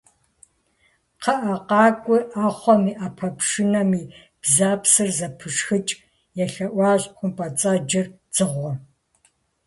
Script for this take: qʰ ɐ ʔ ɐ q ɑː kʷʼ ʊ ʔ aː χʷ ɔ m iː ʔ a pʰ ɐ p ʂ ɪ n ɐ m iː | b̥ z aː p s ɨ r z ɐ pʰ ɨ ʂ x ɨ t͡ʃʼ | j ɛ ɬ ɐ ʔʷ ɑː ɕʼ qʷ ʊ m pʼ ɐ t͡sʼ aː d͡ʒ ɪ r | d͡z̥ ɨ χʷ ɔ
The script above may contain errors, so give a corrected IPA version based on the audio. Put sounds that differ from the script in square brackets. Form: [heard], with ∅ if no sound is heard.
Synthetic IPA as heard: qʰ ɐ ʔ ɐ q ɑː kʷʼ ʊ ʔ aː χʷ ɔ m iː ʔ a pʰ ɐ p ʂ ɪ n ɐ m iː | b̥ z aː p s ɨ r z ɐ pʰ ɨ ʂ x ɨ t͡ʃʼ | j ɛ ɬ ɐ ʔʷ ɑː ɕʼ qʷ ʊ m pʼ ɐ t͡sʼ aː d͡ʒ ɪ r | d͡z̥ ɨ [ʁʷ] ɔ